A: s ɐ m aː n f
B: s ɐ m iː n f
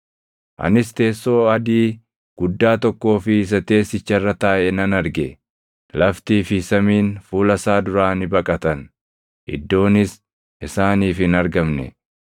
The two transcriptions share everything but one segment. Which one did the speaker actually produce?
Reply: B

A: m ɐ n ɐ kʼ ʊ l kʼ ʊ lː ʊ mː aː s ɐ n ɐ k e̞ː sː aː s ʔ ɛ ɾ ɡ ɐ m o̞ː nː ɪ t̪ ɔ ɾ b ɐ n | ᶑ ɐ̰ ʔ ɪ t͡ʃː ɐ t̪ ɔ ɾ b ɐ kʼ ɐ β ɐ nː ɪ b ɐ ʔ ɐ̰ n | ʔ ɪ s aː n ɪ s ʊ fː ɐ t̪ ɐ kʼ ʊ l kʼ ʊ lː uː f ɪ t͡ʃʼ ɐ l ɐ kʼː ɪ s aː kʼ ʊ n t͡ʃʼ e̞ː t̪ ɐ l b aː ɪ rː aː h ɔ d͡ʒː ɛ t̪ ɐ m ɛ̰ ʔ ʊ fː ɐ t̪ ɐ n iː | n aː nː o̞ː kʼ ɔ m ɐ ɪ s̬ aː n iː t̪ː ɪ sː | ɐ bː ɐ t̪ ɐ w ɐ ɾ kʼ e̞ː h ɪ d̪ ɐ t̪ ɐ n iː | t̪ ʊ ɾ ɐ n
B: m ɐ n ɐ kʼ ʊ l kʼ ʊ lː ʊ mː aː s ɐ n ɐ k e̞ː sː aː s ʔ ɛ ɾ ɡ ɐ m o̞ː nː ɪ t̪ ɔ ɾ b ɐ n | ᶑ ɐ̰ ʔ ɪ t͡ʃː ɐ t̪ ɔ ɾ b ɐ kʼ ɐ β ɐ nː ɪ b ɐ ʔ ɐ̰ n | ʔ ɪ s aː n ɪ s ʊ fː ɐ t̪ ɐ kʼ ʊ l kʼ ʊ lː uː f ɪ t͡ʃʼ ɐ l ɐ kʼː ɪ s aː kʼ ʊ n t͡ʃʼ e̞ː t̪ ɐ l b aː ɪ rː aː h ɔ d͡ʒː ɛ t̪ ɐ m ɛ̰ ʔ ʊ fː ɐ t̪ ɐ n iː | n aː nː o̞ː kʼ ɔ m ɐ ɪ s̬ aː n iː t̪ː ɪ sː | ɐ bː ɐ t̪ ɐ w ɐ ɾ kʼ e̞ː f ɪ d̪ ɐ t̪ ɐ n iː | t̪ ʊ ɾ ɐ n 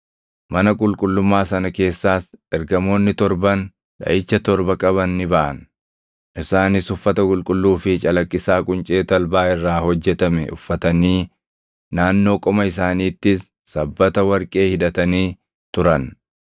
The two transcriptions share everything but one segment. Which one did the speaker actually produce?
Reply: A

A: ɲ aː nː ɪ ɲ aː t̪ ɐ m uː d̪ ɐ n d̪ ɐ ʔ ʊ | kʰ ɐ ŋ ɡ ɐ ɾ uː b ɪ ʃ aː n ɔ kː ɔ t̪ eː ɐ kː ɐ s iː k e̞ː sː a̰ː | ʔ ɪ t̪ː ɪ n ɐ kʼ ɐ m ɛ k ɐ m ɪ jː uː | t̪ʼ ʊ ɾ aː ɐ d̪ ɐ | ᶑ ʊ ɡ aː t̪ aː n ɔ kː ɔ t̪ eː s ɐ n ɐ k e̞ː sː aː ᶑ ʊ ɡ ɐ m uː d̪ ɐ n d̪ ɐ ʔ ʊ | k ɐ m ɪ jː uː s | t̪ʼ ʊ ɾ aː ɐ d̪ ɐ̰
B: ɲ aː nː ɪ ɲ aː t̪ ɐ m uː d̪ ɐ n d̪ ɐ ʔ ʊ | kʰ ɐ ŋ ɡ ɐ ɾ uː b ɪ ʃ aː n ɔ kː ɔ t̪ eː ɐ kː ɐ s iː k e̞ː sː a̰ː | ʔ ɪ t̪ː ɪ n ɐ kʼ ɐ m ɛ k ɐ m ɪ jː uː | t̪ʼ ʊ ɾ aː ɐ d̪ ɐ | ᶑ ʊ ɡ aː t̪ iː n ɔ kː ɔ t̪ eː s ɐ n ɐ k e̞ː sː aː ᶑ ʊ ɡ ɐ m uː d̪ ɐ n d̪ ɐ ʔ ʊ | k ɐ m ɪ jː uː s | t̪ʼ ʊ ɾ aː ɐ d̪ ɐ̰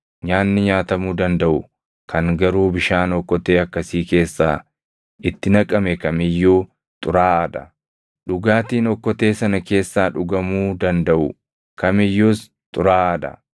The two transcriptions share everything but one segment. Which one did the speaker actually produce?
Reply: B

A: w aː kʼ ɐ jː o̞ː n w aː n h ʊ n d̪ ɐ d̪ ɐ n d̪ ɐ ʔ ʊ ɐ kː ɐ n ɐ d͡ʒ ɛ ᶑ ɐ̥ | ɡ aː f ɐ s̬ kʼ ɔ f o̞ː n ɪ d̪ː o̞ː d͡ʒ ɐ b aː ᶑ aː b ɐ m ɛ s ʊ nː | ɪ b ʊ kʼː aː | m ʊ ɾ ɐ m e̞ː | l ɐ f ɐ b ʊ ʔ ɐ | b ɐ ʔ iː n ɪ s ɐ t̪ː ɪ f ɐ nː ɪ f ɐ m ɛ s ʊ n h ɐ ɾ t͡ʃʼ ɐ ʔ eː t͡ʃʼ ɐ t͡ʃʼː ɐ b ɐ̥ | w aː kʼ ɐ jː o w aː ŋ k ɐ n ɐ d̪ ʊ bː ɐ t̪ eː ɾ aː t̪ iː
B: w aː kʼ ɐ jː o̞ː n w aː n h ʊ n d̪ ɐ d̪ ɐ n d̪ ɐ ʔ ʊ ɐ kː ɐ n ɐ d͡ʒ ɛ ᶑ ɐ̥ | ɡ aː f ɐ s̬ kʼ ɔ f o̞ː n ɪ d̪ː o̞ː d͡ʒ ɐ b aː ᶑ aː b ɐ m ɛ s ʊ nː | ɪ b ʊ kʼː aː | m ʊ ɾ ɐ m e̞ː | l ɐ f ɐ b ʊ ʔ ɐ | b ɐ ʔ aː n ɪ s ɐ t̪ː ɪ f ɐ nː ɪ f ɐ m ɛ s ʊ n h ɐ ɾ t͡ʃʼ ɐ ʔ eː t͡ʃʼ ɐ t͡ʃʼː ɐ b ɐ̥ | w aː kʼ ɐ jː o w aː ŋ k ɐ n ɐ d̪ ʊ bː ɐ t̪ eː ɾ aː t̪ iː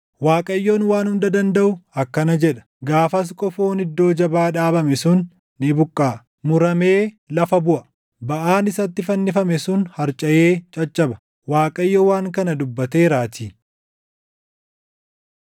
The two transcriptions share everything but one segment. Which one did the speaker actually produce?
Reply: B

